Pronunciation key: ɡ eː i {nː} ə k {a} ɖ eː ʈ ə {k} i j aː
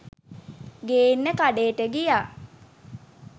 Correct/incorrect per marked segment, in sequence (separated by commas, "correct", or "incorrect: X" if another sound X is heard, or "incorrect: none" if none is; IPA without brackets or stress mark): correct, correct, incorrect: ɡ